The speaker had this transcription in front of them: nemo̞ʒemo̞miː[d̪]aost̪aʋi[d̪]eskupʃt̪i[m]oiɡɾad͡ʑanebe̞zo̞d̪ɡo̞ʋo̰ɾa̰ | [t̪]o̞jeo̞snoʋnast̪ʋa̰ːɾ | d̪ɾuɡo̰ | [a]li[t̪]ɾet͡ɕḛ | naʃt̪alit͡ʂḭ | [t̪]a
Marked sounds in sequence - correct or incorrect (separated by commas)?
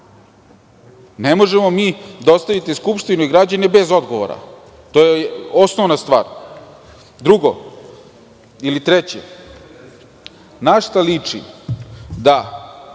correct, incorrect, incorrect, correct, incorrect, correct, incorrect